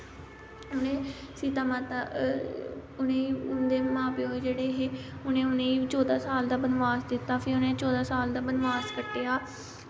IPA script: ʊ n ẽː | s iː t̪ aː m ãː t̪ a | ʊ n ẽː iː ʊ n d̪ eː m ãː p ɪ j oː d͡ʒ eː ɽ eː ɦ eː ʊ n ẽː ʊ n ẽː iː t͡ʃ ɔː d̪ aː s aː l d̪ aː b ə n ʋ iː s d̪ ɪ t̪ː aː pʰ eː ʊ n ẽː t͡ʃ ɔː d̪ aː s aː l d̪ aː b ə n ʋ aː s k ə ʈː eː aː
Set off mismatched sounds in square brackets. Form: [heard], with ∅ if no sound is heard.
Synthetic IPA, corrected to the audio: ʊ n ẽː | s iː t̪ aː m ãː t̪ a | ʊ n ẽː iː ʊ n d̪ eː m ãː p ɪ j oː d͡ʒ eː ɽ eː ɦ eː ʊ n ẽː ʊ n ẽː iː t͡ʃ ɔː d̪ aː s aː l d̪ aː b ə n ʋ [aː] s d̪ ɪ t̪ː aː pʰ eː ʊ n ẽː t͡ʃ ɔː d̪ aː s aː l d̪ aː b ə n ʋ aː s k ə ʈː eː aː